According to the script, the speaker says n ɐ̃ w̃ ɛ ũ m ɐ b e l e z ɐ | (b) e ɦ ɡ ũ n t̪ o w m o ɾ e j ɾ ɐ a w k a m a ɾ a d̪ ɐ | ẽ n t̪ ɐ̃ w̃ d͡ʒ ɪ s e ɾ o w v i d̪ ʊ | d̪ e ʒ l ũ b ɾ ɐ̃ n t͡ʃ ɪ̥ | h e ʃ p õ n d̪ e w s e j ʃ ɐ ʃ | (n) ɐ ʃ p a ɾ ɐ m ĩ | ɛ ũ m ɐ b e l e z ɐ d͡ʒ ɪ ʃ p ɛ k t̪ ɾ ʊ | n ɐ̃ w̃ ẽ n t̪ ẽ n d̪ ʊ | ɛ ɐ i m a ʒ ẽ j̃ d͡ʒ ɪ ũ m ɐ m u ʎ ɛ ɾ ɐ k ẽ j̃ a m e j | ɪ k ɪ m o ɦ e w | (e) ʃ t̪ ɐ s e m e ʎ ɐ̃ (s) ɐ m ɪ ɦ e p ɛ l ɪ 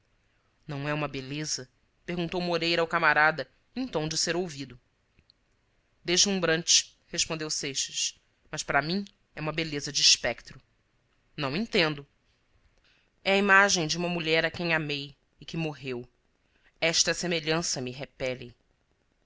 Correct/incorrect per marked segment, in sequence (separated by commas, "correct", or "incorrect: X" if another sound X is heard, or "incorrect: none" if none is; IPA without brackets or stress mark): incorrect: p, incorrect: m, incorrect: ɛ, correct